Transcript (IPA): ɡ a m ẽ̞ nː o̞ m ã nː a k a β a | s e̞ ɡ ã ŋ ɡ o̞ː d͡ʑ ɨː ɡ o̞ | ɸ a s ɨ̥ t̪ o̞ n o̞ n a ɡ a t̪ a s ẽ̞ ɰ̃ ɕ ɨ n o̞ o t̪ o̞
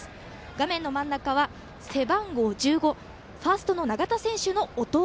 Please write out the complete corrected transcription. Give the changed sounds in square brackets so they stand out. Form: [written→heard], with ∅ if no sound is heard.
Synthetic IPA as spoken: ɡ a m ẽ̞ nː o̞ m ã nː a k a β a | s e̞ [ɡ→b] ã ŋ ɡ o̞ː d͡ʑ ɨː ɡ o̞ | ɸ a s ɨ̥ t̪ o̞ n o̞ n a ɡ a t̪ a s ẽ̞ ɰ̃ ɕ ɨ n o̞ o t̪ o̞